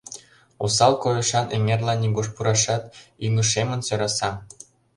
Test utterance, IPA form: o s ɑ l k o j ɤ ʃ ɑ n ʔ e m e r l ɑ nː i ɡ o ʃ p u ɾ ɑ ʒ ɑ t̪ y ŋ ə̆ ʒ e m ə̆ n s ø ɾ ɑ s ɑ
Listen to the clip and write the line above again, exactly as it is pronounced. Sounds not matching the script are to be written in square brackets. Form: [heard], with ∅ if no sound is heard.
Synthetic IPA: o s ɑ l k o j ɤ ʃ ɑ n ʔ e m e r l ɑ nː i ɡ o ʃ p u ɾ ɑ [ʃ] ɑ t̪ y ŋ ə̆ [ʃ] e m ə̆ n s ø ɾ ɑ s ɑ